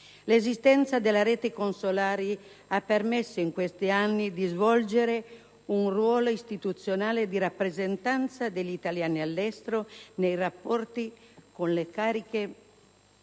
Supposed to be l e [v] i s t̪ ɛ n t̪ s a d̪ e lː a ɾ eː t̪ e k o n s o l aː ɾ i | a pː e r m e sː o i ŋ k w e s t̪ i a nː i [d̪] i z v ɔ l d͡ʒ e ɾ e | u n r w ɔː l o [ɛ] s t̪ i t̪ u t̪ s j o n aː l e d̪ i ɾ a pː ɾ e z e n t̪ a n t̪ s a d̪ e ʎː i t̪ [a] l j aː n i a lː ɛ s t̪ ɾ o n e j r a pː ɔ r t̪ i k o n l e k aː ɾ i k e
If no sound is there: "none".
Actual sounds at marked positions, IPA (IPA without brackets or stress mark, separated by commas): z, d̪, i, a